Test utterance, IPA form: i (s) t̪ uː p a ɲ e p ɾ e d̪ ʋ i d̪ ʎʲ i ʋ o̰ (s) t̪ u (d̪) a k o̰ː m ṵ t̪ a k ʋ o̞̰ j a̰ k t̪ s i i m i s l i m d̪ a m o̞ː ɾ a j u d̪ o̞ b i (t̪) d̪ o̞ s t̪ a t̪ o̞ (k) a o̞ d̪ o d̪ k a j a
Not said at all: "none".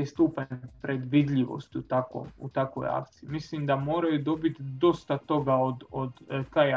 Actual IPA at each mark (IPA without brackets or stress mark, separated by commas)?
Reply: s, s, t̪, t̪, ɡ